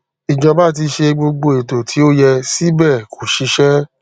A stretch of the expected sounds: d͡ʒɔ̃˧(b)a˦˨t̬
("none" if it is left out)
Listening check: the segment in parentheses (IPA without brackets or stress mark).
b